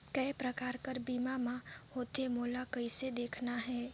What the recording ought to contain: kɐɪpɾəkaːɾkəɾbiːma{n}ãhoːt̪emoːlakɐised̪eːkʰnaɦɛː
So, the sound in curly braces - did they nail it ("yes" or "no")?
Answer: no